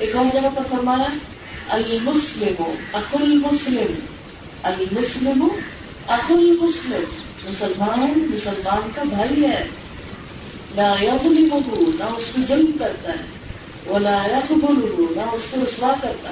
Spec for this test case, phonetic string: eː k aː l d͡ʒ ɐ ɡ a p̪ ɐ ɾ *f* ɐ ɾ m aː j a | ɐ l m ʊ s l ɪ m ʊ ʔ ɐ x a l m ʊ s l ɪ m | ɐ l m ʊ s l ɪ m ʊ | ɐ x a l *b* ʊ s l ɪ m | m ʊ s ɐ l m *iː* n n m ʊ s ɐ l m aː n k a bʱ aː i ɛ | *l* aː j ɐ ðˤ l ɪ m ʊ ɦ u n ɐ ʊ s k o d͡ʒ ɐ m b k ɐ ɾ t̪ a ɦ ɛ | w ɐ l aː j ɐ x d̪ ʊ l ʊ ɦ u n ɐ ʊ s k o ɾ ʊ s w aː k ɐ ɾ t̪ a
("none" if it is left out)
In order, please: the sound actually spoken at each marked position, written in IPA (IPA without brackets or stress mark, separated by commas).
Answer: f, m, aː, l